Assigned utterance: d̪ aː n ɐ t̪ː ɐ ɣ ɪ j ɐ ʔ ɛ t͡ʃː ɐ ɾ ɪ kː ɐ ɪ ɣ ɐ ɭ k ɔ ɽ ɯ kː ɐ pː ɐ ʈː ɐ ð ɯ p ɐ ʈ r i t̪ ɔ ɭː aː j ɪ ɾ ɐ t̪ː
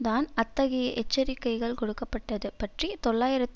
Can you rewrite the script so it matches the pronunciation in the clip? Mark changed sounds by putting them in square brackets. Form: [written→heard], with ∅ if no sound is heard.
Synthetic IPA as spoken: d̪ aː n ɐ t̪ː ɐ ɣ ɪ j ɐ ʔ ɛ t͡ʃː ɐ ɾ ɪ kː ɐ ɪ ɣ ɐ ɭ k ɔ ɽ ɯ kː ɐ pː ɐ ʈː ɐ ð ɯ p ɐ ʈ r i t̪ ɔ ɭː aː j ɪ ɾ ɐ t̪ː

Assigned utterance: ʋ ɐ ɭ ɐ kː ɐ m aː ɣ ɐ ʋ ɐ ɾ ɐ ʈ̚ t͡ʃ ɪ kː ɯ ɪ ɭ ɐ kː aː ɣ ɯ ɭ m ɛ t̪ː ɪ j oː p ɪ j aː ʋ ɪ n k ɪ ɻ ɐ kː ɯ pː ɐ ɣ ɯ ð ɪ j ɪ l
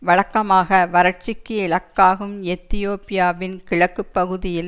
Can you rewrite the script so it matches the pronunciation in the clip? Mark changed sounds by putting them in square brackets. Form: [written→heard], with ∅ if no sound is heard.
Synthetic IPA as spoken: ʋ ɐ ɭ ɐ kː ɐ m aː ɣ ɐ ʋ ɐ ɾ ɐ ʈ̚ t͡ʃ ɪ kː ɯ ɪ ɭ ɐ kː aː ɣ ɯ [ɭ→∅] m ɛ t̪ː ɪ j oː p ɪ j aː ʋ ɪ n k ɪ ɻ ɐ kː ɯ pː ɐ ɣ ɯ ð ɪ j ɪ l

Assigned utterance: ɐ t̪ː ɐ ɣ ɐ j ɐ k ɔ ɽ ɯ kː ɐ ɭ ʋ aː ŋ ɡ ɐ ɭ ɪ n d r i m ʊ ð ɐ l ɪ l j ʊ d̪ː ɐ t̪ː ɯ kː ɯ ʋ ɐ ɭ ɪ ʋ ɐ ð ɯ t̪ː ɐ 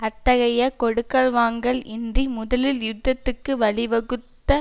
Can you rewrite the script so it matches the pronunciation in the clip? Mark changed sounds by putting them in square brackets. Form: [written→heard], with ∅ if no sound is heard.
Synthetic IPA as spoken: ɐ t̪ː ɐ ɣ ɐ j ɐ k ɔ ɽ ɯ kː ɐ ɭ ʋ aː ŋ ɡ ɐ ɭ ɪ n d r i m ʊ ð ɐ l ɪ l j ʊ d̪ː ɐ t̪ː ɯ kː ɯ ʋ ɐ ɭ ɪ ʋ ɐ [ð→ɣ] ɯ t̪ː ɐ

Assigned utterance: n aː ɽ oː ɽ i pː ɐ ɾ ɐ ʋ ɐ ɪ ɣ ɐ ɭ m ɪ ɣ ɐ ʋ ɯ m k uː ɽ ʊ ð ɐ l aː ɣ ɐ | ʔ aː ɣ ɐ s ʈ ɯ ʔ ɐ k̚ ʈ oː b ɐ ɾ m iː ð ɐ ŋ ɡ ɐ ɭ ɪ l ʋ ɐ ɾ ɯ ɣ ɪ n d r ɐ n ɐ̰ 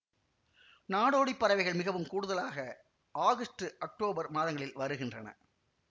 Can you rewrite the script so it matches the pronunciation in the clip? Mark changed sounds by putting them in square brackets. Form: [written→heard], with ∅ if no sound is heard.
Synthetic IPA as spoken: n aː ɽ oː ɽ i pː ɐ ɾ ɐ ʋ ɐ ɪ ɣ ɐ ɭ m ɪ ɣ ɐ ʋ ɯ m k uː ɽ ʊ ð ɐ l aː ɣ ɐ | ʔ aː ɣ ɐ s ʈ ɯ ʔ ɐ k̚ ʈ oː b ɐ ɾ m [iː→aː] ð ɐ ŋ ɡ ɐ ɭ ɪ l ʋ ɐ ɾ ɯ ɣ ɪ n d r ɐ n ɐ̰

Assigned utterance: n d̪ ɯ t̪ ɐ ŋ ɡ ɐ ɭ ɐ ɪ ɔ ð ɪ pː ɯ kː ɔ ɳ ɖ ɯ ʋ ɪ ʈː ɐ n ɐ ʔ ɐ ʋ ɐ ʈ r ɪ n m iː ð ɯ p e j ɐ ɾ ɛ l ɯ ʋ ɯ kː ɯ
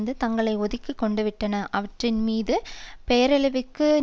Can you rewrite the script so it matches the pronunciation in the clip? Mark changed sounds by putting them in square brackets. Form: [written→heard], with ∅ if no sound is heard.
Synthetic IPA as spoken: n d̪ ɯ t̪ ɐ ŋ ɡ ɐ ɭ ɐ ɪ ɔ ð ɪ [pː→kː] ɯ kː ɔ ɳ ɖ ɯ ʋ ɪ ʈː ɐ n ɐ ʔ ɐ ʋ ɐ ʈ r ɪ n m iː ð ɯ p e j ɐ ɾ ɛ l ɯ ʋ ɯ kː ɯ

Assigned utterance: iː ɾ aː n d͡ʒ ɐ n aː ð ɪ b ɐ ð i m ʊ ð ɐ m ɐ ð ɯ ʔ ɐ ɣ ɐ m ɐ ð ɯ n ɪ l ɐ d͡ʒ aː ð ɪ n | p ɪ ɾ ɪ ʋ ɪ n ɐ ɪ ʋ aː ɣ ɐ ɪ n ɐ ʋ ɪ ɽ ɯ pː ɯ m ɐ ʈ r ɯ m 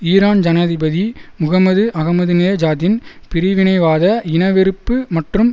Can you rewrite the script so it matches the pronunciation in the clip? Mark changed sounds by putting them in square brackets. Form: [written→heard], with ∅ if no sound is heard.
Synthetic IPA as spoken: iː ɾ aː n d͡ʒ ɐ n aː ð ɪ b ɐ ð i m ʊ [ð→ɣ] ɐ m ɐ ð ɯ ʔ ɐ ɣ ɐ m ɐ ð ɯ n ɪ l ɐ d͡ʒ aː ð ɪ n | p ɪ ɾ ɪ ʋ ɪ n ɐ ɪ ʋ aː [ɣ→ð] ɐ ɪ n ɐ ʋ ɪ [ɽ→ɾ] ɯ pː ɯ m ɐ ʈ r ɯ m

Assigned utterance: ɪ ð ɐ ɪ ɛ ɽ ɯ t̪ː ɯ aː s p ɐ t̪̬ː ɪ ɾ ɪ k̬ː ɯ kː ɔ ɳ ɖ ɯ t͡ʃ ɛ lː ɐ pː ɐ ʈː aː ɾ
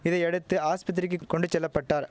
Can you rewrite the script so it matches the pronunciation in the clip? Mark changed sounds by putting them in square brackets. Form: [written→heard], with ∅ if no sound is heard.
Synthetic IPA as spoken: ɪ ð ɐ ɪ ɛ ɽ ɯ t̪ː ɯ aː s p ɐ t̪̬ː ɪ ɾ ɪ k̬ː ɯ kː ɔ ɳ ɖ ɯ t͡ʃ ɛ lː ɐ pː ɐ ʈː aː ɾ

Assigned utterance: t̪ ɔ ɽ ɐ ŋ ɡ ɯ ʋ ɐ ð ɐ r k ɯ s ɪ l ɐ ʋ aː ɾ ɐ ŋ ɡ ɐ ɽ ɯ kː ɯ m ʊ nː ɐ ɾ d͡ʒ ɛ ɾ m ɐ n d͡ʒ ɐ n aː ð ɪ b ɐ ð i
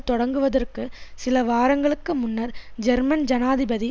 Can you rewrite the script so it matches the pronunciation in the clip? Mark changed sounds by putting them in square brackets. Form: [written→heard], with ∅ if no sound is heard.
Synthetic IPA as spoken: t̪ ɔ ɽ ɐ ŋ ɡ ɯ ʋ ɐ ð ɐ r k ɯ s ɪ l ɐ ʋ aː ɾ ɐ ŋ ɡ ɐ [ɽ→ɭ] ɯ kː ɯ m ʊ nː ɐ ɾ d͡ʒ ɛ ɾ m ɐ n d͡ʒ ɐ n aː ð ɪ b ɐ ð i

